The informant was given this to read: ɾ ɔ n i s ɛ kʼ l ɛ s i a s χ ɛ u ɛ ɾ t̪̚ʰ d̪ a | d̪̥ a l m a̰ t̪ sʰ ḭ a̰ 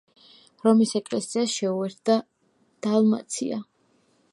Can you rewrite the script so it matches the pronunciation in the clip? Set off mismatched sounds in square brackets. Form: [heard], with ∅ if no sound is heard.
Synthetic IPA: ɾ ɔ [m] i s ɛ kʼ l ɛ s i a s [ʃ] ɛ u ɛ ɾ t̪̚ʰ d̪ a | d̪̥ a l m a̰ t̪ sʰ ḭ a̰